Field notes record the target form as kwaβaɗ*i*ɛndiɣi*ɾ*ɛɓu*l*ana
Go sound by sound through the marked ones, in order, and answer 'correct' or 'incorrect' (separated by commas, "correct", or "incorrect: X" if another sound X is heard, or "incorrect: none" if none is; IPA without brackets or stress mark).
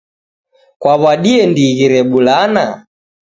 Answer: correct, correct, correct